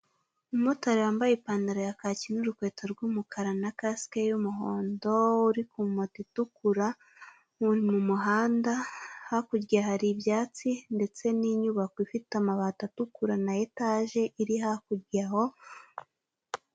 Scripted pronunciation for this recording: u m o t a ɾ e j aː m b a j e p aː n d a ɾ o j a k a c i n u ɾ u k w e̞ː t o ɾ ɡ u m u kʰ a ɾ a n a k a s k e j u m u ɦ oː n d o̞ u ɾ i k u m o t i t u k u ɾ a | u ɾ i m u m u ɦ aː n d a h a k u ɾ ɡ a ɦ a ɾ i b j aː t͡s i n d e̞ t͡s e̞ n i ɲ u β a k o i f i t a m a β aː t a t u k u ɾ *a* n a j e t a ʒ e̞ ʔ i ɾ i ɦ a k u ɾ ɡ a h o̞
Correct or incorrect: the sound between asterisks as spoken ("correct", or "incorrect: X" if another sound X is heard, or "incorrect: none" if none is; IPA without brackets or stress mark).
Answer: correct